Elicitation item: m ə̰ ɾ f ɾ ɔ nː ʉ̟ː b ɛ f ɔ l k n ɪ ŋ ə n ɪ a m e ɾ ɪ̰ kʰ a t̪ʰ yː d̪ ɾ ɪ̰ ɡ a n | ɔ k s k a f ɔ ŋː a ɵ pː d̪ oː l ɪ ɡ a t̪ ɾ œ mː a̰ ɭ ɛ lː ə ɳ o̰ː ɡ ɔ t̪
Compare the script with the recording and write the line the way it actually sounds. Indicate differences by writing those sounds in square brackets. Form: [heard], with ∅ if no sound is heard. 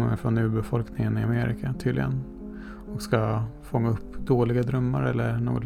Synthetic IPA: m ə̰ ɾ f ɾ ɔ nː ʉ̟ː b ɛ f ɔ l k n ɪ ŋ ə n ɪ a m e ɾ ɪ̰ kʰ a t̪ʰ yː d̪ [l] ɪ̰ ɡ [ə] n | ɔ k s k a f ɔ ŋː a ɵ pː d̪ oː l ɪ ɡ a [d̪] ɾ œ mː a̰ [ɾ] ɛ lː ə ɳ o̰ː ɡ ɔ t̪